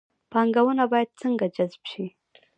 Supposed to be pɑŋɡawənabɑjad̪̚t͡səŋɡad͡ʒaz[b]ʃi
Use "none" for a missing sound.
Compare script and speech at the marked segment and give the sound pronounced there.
b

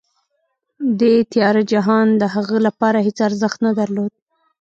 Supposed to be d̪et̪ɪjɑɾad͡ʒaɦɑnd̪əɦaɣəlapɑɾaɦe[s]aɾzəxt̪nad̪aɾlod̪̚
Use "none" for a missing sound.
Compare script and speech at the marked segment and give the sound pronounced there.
t͡s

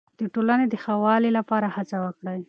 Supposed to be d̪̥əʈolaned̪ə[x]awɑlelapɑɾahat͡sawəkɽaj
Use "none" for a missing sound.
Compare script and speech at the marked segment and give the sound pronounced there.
x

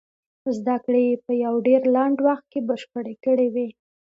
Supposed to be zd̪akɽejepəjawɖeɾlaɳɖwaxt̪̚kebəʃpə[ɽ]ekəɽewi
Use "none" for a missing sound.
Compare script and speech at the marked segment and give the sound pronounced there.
ɽ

